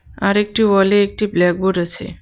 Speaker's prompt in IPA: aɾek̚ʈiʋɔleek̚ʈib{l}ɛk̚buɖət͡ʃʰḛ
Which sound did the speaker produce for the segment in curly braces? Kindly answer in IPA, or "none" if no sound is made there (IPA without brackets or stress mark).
l